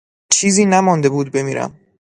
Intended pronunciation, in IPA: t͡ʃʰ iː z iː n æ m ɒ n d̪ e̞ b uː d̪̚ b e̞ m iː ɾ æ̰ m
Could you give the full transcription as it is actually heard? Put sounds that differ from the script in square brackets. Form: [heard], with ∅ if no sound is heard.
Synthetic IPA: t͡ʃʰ iː z iː n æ m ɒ n d̪ e̞ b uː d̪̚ b e̞ m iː ɾ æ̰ m